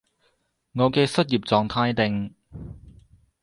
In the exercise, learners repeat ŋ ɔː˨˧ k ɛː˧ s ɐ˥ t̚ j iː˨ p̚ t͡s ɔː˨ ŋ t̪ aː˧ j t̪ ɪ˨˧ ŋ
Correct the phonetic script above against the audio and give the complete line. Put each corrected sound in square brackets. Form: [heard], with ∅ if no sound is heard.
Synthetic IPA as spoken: ŋ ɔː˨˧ k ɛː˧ s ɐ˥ t̚ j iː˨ p̚ t͡s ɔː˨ ŋ [t̪ʰ] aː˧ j t̪ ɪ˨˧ ŋ